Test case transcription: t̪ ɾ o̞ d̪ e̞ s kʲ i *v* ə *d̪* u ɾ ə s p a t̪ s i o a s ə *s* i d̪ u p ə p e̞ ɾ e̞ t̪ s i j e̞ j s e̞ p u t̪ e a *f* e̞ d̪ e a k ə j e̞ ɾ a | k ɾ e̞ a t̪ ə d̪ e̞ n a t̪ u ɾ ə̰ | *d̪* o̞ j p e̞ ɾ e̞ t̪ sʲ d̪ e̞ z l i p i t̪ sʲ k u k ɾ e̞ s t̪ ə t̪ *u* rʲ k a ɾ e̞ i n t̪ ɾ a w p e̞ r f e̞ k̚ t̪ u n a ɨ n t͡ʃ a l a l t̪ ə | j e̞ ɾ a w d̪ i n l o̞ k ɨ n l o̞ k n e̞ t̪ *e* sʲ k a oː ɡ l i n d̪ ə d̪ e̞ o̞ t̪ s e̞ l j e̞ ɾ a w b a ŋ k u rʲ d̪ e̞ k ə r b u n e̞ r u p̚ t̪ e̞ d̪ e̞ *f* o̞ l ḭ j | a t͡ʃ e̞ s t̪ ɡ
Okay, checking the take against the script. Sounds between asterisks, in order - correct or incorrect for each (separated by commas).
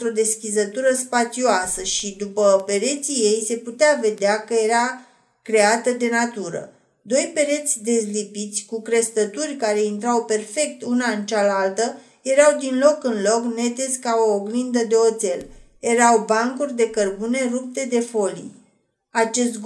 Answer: incorrect, incorrect, incorrect, incorrect, correct, correct, correct, correct